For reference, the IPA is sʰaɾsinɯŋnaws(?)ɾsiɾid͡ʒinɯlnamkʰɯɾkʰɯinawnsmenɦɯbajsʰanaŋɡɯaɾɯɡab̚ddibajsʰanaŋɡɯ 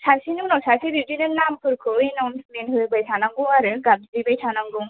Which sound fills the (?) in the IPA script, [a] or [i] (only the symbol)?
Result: a